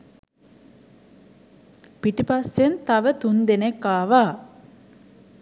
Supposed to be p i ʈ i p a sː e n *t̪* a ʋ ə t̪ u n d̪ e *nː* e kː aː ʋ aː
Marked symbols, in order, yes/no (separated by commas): yes, no